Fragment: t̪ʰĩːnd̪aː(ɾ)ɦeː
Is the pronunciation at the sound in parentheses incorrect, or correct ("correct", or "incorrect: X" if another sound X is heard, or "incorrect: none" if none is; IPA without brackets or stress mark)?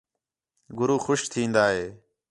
incorrect: none